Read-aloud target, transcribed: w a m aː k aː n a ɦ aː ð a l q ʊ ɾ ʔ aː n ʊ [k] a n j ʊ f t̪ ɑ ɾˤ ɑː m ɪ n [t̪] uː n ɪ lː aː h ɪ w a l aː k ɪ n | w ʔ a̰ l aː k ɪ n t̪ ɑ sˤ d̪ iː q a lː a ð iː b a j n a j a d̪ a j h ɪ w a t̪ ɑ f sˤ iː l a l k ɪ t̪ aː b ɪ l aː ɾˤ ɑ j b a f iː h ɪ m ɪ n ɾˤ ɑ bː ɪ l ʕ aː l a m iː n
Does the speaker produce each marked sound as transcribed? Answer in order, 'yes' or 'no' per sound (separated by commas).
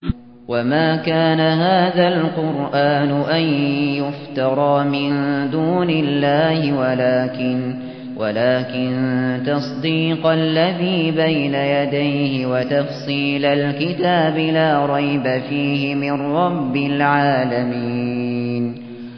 no, no